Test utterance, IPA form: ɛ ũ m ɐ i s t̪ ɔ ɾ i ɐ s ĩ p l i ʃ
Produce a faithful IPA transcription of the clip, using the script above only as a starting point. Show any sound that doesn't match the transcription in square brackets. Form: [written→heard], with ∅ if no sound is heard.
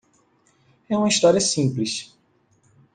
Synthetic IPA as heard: ɛ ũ m ɐ i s t̪ ɔ ɾ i ɐ s ĩ p l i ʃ